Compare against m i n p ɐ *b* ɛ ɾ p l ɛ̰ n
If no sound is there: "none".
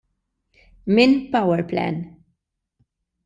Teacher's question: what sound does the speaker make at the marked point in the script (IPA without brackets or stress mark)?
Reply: w